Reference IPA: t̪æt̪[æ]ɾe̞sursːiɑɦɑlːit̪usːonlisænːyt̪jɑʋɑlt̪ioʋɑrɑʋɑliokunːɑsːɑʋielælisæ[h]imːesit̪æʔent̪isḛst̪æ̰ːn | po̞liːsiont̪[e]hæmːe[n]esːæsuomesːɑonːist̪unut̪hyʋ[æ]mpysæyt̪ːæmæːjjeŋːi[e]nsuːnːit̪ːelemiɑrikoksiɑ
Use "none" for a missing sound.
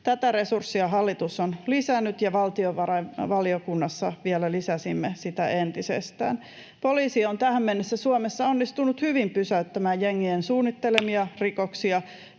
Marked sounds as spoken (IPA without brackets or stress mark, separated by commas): æ, s, æ, nː, i, e